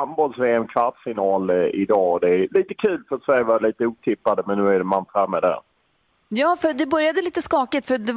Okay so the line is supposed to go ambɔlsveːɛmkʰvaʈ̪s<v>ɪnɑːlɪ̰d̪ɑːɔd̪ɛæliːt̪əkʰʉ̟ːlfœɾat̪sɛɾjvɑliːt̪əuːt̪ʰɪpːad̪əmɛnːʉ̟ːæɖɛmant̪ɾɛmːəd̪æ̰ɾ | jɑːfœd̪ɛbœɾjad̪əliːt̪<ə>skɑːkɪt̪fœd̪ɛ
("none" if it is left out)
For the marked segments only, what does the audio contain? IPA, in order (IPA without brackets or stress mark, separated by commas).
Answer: f, ə